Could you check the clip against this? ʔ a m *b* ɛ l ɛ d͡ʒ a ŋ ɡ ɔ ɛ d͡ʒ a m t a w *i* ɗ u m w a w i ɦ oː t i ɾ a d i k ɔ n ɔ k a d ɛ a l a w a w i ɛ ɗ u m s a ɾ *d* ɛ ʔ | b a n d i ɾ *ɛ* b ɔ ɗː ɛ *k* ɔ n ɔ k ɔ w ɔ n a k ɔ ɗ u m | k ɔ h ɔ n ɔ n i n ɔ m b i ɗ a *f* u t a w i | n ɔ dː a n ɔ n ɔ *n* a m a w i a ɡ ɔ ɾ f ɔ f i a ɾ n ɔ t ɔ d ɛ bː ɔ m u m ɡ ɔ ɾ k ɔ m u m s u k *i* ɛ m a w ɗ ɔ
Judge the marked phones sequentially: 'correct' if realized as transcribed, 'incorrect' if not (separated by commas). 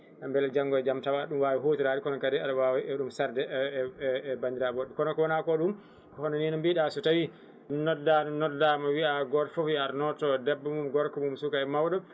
correct, incorrect, correct, incorrect, correct, incorrect, incorrect, incorrect